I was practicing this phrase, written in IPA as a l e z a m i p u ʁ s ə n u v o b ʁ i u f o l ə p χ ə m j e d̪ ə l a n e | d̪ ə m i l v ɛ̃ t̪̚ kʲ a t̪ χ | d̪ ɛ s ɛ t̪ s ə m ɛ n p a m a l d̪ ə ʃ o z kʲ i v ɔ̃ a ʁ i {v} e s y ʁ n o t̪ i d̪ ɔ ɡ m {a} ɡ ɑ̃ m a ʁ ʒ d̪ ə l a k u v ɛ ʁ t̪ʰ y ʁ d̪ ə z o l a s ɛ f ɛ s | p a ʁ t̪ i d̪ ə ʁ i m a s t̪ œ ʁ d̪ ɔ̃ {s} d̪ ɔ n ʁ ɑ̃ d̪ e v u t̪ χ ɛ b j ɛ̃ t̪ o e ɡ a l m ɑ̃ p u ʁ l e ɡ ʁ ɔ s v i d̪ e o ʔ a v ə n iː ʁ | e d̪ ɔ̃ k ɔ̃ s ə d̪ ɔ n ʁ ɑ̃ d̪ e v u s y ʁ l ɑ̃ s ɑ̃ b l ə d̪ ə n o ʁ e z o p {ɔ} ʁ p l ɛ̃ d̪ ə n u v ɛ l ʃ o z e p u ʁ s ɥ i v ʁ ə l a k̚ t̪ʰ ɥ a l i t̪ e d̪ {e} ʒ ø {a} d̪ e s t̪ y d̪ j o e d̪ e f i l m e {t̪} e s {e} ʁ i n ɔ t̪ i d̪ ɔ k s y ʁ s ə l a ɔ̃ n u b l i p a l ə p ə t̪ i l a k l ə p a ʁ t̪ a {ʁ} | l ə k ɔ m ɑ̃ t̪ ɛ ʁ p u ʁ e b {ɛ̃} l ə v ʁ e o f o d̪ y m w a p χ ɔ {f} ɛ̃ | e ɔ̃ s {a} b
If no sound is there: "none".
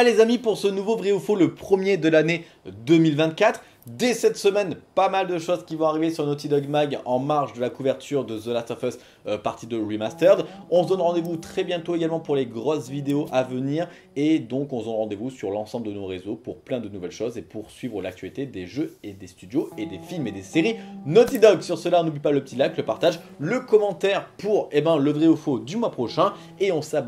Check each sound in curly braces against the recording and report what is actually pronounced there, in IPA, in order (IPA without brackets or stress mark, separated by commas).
v, a, s, u, e, e, d̪, e, ʒ, ɛ̃, ʃ, a